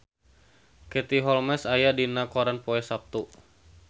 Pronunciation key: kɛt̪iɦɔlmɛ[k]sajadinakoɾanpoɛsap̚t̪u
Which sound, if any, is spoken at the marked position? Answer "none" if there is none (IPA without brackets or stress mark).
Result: none